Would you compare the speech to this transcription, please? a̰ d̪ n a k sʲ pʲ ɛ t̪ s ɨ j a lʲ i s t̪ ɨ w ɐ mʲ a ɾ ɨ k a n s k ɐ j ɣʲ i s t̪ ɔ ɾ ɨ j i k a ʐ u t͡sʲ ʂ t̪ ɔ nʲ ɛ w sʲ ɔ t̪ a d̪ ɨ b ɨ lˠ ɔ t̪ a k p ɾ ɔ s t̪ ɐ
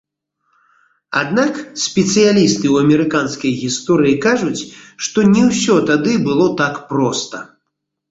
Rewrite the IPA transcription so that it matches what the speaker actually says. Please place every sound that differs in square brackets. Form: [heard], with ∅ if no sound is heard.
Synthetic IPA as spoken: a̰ d̪ n a k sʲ pʲ ɛ t̪ s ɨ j a lʲ i s t̪ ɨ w ɐ mʲ [ɛ] ɾ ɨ k a n s k ɐ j ɣʲ i s t̪ ɔ ɾ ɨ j i k a ʐ u t͡sʲ ʂ t̪ ɔ nʲ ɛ w sʲ ɔ t̪ a d̪ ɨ b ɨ lˠ ɔ t̪ a k p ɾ ɔ s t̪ ɐ